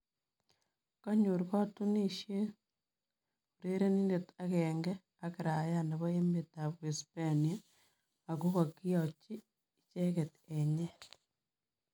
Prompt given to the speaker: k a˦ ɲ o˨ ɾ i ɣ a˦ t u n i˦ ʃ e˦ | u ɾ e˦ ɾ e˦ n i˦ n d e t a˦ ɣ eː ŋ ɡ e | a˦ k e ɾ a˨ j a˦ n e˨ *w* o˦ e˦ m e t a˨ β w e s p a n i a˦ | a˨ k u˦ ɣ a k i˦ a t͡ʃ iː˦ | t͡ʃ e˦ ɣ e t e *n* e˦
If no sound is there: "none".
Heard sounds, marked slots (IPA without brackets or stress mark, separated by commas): β, ɲ